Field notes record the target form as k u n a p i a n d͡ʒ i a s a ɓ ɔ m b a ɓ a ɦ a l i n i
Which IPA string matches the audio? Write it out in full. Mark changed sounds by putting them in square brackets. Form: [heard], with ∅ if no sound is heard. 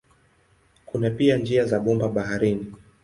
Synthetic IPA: k u n a p i a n d͡ʒ i a [z] a ɓ ɔ m b a ɓ a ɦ a [ɾ] i n i